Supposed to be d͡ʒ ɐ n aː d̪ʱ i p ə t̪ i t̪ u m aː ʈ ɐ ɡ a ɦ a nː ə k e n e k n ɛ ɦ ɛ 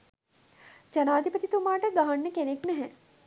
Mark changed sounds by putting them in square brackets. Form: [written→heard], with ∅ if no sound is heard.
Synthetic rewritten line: d͡ʒ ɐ n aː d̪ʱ i p ə t̪ i t̪ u m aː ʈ [ɐ→ə] ɡ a ɦ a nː ə k e n e k n ɛ ɦ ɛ

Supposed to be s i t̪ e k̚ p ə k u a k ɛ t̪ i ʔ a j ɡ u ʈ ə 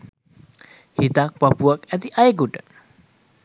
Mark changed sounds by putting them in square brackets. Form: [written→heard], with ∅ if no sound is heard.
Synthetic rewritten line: [s→h] i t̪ [e→a] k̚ p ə [k→p] u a k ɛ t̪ i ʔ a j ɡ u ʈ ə

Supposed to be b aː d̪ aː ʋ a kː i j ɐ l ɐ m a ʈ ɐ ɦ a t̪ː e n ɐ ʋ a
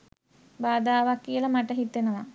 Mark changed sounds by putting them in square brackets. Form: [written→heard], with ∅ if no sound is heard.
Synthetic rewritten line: b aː d̪ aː ʋ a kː i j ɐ l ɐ m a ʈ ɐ ɦ [a→i] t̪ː e n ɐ ʋ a

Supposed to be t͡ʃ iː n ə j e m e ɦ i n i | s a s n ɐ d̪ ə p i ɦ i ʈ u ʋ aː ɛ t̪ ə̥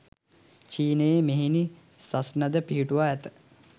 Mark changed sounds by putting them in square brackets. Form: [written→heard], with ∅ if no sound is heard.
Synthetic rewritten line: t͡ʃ iː n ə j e m e ɦ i n i | s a s n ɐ d̪ ə p i ɦ i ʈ u ʋ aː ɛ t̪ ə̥

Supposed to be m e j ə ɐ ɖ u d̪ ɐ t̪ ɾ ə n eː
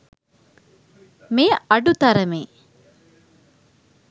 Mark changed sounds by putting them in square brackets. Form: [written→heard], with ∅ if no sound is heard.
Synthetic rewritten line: m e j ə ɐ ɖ u [d̪→t̪] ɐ [t̪→∅] ɾ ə [n→m] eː

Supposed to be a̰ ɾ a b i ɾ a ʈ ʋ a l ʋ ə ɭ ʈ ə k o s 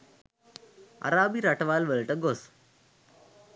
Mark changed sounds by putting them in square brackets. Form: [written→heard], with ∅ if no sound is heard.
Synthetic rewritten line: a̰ ɾ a b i ɾ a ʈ ʋ a l ʋ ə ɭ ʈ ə [k→ɡ] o s

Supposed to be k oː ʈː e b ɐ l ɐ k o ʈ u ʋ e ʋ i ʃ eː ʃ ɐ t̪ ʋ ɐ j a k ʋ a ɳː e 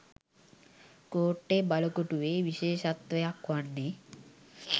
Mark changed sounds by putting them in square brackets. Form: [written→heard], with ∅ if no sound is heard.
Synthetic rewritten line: k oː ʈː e b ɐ l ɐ k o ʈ u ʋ e ʋ i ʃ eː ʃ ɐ t̪ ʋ ɐ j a k ʋ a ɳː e

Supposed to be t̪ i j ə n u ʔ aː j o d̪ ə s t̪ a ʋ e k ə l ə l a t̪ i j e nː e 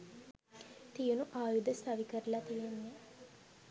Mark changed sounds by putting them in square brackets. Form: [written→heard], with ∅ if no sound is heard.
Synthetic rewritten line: t̪ i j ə n u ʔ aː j [o→u] d̪ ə s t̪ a ʋ [e→i] k ə [l→ɾ] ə l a t̪ i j e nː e

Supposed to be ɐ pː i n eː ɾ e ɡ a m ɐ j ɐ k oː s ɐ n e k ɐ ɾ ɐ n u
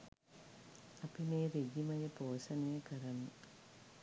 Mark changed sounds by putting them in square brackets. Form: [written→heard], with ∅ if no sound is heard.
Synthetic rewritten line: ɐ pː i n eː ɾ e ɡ [a→i] m ɐ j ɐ [k→p] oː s ɐ n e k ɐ ɾ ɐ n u

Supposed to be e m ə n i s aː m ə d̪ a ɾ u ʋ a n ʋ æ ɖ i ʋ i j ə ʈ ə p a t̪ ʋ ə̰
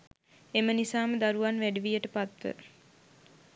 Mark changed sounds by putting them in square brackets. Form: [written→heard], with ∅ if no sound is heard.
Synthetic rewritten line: e m ə n i s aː m ə d̪ a ɾ u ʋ a n ʋ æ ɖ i ʋ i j ə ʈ ə p a t̪ ʋ ə̰

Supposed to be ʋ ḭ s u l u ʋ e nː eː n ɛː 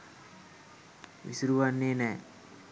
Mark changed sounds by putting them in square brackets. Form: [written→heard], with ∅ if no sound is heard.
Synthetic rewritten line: ʋ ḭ s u [l→ɾ] u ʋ [e→a] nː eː n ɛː

